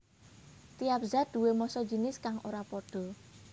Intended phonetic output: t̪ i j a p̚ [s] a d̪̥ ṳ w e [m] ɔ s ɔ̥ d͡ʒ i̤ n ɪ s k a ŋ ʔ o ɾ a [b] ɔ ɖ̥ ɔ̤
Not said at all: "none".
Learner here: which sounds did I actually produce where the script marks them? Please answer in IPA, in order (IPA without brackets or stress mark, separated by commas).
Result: z, m, p